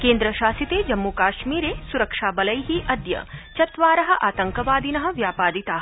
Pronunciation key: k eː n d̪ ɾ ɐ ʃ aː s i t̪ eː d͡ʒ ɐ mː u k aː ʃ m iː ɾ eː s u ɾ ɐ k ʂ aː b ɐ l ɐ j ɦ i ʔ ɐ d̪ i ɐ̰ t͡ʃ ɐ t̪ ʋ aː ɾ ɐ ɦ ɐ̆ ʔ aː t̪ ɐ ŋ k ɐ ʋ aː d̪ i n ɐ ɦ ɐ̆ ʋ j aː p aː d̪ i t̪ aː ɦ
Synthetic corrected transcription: k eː n d̪ ɾ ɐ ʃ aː s i t̪ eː d͡ʒ ɐ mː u k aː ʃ m iː ɾ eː s u ɾ ɐ k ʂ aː b ɐ l ɐ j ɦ i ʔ ɐ d̪ j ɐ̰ t͡ʃ ɐ t̪ ʋ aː ɾ ɐ ɦ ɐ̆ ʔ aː t̪ ɐ ŋ k ɐ ʋ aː d̪ i n ɐ ɦ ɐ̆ ʋ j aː p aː d̪ i t̪ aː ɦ